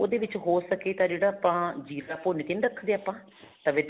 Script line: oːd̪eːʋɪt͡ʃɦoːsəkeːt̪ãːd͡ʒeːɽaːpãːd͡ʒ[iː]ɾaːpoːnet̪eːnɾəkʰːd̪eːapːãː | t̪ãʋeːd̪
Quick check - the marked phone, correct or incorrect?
correct